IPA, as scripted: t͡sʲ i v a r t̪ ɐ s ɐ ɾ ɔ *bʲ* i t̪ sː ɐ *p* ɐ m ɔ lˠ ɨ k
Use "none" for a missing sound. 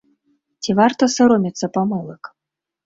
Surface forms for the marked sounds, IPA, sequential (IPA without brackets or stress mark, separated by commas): mʲ, p